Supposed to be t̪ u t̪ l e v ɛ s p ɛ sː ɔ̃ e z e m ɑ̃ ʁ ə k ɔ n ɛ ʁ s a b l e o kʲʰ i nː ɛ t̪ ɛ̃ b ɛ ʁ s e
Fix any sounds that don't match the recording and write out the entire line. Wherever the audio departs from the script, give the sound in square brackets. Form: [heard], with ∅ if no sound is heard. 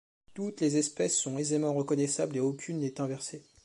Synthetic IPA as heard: t̪ u t̪ l e [z] ɛ s p ɛ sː ɔ̃ e z e m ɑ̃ ʁ ə k ɔ n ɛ [∅] s a b l e o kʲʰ [y] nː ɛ t̪ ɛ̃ [v] ɛ ʁ s e